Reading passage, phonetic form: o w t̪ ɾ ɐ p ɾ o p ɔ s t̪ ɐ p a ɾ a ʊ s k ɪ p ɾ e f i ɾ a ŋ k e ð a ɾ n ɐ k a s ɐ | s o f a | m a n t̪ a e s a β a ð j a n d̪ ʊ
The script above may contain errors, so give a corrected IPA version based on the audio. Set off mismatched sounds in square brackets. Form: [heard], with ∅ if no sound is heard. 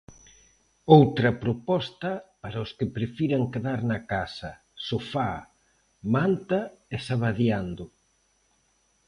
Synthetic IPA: o w t̪ ɾ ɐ p ɾ o p ɔ s t̪ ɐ p a ɾ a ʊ s k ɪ p ɾ e f i ɾ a ŋ k e ð a ɾ n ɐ k a s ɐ | s o f a | m a n t̪ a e s a β a ð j a n d̪ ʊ